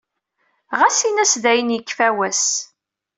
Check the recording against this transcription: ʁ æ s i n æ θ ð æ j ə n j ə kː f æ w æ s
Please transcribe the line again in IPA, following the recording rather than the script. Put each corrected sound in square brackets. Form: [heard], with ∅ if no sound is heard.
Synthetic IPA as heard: ʁ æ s i n æ [s] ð æ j ə n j ə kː f æ w æ s